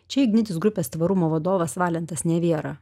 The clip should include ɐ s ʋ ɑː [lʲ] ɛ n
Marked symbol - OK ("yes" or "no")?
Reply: yes